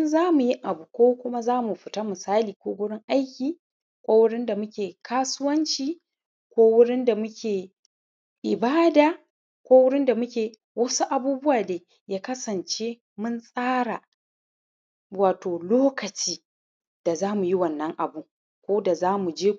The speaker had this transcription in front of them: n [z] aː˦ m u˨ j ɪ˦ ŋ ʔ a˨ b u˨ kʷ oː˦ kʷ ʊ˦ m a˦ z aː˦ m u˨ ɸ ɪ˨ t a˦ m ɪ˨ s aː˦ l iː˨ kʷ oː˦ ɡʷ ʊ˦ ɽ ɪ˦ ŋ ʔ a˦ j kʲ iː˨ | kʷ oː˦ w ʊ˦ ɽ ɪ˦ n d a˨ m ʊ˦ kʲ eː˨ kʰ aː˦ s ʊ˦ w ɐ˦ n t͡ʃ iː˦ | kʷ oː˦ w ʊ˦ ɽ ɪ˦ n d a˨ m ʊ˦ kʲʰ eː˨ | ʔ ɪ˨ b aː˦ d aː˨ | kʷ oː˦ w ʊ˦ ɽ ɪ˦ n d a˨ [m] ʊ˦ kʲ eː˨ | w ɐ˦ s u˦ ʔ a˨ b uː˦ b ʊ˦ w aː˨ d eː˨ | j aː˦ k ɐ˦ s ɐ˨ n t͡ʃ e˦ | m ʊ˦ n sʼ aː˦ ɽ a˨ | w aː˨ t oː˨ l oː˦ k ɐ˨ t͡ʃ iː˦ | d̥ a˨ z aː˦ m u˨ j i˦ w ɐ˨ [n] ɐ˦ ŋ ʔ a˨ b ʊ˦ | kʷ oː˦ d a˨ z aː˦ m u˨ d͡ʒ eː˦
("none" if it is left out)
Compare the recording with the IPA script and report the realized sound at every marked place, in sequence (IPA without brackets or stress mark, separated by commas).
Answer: z, m, nː